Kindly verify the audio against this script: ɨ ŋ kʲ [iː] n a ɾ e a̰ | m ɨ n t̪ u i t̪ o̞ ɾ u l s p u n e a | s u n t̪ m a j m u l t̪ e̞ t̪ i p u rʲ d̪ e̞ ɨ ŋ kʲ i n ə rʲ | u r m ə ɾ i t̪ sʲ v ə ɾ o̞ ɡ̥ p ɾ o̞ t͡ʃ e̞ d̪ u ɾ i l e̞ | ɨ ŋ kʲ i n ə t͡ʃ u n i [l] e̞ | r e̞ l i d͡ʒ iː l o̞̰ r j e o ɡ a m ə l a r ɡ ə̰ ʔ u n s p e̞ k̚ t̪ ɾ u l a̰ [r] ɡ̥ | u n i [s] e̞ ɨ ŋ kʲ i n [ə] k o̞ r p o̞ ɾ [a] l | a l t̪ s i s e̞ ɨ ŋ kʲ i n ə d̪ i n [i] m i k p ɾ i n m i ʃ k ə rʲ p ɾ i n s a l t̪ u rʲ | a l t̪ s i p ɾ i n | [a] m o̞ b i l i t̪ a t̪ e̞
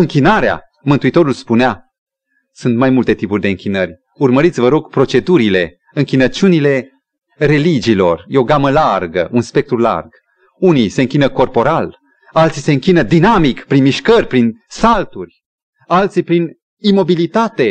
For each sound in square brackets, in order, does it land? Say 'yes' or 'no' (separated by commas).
no, yes, yes, yes, yes, yes, no, no